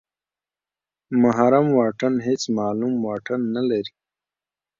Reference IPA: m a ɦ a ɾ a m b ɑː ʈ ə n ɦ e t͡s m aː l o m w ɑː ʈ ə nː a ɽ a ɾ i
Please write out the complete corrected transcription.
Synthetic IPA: m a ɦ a ɾ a m w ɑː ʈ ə n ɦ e t͡s m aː l u m w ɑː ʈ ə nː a l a ɾ i